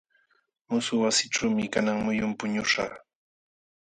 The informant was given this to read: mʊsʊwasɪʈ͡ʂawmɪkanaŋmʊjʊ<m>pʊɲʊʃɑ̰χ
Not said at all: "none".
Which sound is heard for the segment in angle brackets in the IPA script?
m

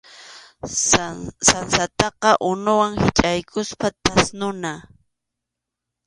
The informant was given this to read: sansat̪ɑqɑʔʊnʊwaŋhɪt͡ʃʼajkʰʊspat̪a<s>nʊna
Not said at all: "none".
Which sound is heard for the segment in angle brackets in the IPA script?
s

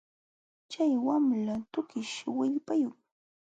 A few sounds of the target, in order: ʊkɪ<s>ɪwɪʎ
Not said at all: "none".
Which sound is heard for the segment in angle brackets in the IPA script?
ʃ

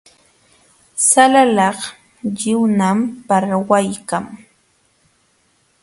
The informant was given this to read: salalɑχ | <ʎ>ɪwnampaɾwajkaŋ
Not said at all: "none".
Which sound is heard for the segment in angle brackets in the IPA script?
ʎ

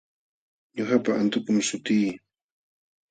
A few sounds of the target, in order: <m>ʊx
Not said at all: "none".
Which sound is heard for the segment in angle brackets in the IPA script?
ɲ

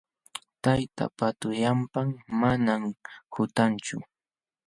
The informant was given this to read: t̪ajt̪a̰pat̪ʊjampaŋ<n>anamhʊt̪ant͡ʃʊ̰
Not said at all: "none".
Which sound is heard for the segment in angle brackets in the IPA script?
m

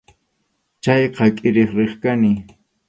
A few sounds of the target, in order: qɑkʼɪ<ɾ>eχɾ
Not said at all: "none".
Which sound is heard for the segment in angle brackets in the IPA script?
ɾ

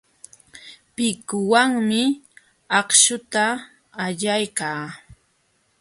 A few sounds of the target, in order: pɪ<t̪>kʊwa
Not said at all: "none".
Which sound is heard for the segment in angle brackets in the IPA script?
none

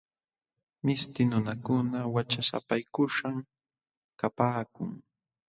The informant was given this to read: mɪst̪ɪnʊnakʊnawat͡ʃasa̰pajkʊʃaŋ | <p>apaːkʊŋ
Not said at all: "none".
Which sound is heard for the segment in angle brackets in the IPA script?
k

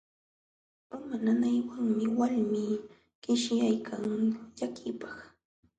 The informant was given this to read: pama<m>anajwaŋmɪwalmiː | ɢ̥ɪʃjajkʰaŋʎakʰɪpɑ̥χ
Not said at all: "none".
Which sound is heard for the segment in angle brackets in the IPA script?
n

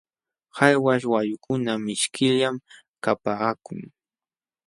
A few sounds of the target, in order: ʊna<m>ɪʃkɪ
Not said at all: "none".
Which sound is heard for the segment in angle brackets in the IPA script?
m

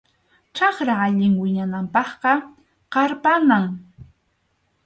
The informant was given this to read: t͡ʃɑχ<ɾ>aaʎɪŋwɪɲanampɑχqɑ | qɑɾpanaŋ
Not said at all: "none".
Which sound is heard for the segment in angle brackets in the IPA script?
ɾ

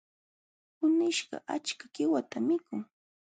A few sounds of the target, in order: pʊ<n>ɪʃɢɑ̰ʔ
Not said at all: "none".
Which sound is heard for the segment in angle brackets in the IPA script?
n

